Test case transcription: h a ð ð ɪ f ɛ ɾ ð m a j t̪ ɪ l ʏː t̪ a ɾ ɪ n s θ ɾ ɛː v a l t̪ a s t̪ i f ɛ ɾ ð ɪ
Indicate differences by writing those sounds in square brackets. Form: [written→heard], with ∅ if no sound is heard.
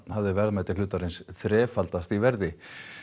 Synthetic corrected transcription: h a [ð→v] ð ɪ [f→v] ɛ ɾ ð m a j t̪ ɪ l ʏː t̪ a ɾ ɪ n s θ ɾ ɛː [v→f] a l t̪ a s t̪ i [f→v] ɛ ɾ ð ɪ